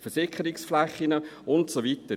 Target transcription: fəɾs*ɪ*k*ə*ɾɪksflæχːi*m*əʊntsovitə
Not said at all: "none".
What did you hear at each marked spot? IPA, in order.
ɪ, ə, n

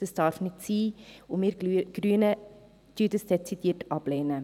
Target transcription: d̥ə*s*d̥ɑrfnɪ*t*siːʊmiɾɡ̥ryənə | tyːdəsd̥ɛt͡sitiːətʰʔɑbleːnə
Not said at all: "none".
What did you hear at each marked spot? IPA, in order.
s, t

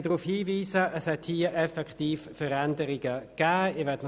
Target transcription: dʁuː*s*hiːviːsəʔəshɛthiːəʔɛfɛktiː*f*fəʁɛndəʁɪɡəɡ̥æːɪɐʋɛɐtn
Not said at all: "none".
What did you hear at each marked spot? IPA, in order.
f, f

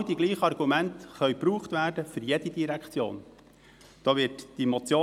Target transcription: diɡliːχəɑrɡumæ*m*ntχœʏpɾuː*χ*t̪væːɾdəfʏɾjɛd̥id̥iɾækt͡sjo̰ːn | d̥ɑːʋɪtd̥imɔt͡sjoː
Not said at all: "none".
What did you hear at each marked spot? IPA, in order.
none, χ

